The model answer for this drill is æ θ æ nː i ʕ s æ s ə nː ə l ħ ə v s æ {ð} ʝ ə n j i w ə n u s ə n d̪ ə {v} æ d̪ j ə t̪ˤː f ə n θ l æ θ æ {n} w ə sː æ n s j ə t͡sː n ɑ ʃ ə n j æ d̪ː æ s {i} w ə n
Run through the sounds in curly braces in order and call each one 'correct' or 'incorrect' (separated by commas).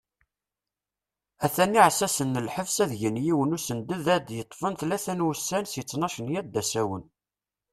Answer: correct, incorrect, correct, incorrect